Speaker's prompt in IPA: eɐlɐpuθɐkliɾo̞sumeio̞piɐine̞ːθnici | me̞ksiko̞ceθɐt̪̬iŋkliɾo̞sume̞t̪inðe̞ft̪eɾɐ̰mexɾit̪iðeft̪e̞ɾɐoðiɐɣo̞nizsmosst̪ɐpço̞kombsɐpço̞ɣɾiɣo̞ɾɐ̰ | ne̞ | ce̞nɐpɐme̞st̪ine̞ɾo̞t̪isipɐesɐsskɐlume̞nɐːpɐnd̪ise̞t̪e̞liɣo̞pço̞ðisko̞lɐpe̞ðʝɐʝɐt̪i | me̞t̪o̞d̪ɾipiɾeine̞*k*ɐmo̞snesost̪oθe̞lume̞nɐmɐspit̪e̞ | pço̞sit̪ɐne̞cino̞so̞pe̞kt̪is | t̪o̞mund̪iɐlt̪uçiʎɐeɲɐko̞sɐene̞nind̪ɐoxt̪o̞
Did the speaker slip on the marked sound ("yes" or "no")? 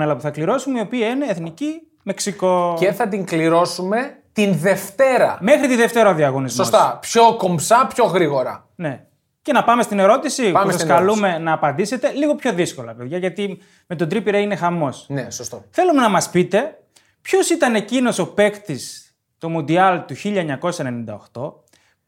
yes